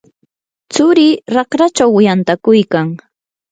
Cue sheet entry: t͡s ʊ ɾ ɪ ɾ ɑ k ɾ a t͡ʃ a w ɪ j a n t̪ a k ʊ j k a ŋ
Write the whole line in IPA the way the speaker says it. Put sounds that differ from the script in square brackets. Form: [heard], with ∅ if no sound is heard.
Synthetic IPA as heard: t͡s ʊ ɾ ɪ ɾ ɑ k ɾ a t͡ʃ a w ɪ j a n t̪ a k ʊ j k a ŋ